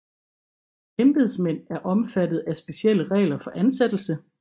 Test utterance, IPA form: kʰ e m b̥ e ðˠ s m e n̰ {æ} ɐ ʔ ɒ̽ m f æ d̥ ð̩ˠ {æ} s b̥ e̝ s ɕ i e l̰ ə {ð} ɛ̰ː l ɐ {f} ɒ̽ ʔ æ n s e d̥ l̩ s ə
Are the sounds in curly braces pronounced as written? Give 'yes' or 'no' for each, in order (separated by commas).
yes, yes, no, yes